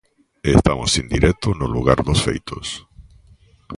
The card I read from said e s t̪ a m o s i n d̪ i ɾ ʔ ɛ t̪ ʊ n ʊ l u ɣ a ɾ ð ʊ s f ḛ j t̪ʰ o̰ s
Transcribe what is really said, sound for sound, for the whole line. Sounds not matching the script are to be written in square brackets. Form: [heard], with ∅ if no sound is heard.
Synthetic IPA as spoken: e s t̪ a m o s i n d̪ i ɾ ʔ ɛ t̪ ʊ n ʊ l u ɣ a ɾ ð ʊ s f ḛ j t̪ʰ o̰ s